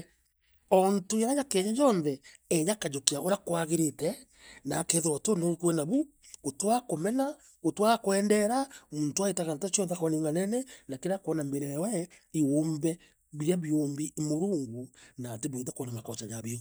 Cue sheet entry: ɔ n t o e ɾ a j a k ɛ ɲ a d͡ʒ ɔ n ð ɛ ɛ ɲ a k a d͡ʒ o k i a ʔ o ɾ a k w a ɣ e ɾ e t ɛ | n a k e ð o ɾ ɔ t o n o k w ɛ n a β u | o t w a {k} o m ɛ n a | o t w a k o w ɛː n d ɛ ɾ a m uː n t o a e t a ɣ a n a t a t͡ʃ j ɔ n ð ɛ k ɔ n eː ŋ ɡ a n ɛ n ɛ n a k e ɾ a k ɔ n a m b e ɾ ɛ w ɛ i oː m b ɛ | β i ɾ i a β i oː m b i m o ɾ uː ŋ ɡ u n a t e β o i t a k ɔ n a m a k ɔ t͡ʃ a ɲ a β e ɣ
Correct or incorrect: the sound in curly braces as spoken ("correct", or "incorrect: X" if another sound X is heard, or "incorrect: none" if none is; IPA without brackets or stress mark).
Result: correct